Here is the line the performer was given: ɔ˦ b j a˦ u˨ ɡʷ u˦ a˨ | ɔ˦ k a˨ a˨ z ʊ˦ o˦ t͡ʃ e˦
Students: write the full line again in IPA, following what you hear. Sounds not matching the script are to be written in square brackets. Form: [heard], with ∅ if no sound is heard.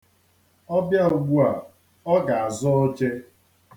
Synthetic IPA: ɔ˦ b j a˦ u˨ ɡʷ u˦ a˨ | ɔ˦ [ɡ] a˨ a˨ z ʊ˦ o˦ t͡ʃ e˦